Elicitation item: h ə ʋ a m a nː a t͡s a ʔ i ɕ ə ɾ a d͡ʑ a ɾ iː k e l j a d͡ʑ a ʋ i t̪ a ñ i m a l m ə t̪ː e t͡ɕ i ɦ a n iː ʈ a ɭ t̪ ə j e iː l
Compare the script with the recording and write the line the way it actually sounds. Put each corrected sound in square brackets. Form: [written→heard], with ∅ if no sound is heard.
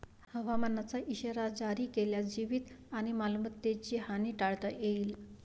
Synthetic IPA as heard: h ə ʋ a m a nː a t͡s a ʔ i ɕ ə ɾ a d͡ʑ a ɾ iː k e l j a d͡ʑ [a→i] ʋ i t̪ a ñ i m a l m ə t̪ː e t͡ɕ i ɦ a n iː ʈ a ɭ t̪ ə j e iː l